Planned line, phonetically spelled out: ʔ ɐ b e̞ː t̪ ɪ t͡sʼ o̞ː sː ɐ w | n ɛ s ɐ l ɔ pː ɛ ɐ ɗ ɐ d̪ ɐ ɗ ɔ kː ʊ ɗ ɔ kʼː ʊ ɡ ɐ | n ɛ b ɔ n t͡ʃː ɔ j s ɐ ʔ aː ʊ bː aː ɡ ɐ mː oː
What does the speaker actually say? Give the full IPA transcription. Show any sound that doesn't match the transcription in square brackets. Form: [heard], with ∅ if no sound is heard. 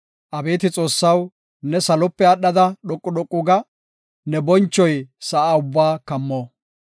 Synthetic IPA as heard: ʔ ɐ b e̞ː t̪ ɪ t͡sʼ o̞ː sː ɐ w | n ɛ s ɐ l ɔ pː ɛ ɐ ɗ ɐ d̪ ɐ ɗ ɔ [kʼː] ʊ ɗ ɔ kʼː ʊ ɡ ɐ | n ɛ b ɔ n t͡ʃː ɔ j s ɐ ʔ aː ʊ bː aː [k] ɐ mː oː